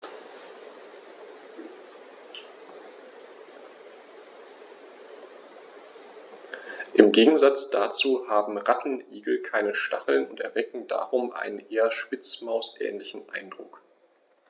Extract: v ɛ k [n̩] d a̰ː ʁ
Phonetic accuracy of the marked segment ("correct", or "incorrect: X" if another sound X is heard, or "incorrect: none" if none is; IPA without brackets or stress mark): incorrect: ŋ̩